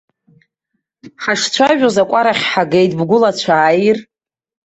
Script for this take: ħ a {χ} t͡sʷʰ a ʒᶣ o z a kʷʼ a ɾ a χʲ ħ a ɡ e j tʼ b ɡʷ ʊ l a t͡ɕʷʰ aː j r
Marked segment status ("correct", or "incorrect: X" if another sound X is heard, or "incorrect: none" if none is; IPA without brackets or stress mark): incorrect: ʂ